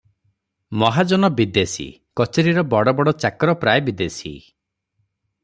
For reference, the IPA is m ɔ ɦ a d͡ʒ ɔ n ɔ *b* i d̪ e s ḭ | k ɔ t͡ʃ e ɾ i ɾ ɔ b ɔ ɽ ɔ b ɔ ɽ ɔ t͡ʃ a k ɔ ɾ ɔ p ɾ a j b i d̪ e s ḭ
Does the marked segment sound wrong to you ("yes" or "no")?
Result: no